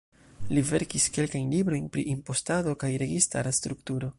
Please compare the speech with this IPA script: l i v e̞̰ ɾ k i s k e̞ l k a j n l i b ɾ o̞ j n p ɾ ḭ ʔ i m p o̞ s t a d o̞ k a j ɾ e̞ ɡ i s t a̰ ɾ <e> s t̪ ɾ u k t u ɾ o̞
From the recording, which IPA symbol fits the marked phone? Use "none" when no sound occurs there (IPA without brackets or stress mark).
a